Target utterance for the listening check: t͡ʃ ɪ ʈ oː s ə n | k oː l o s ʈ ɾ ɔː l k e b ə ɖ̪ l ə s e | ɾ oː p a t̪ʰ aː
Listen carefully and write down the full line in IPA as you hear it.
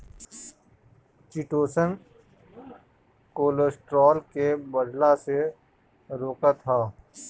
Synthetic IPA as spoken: t͡ʃ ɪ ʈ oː s ə n | k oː l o s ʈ ɾ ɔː l k e b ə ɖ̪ l a s e | ɾ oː k a t̪ʰ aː